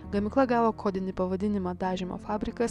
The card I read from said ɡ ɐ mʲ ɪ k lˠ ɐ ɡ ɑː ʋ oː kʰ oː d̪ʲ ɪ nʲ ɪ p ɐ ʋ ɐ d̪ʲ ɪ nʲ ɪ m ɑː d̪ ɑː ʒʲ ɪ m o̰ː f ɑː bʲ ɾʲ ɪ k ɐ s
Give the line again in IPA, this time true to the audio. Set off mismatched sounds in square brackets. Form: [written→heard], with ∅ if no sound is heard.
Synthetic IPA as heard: ɡ ɐ mʲ ɪ k lˠ ɐ ɡ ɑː ʋ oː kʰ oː d̪ʲ ɪ nʲ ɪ p ɐ ʋ ɐ d̪ʲ ɪ nʲ ɪ m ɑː d̪ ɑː ʒʲ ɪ m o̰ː f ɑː bʲ ɾʲ ɪ k ɐ s